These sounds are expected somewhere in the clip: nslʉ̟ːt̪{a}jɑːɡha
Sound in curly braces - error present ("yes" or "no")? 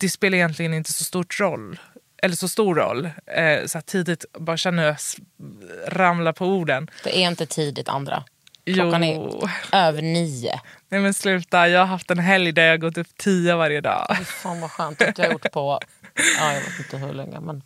no